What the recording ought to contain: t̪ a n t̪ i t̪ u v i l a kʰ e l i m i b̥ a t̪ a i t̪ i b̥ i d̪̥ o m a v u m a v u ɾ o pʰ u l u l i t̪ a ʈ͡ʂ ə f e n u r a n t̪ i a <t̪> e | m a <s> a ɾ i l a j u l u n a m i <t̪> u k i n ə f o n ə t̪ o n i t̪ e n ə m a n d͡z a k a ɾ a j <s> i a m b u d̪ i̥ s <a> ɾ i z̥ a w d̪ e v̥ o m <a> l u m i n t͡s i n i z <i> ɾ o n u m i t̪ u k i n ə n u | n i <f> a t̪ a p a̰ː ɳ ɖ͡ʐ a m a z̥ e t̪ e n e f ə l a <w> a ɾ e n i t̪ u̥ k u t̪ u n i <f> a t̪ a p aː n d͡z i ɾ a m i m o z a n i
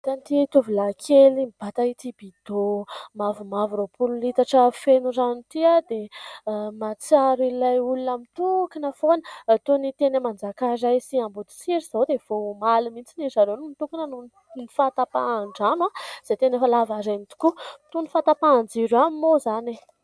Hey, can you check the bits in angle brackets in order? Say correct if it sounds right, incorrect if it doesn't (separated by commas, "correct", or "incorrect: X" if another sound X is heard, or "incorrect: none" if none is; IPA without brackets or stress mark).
incorrect: d̪, incorrect: t͡s, correct, correct, incorrect: i, correct, incorrect: a, correct, incorrect: v, correct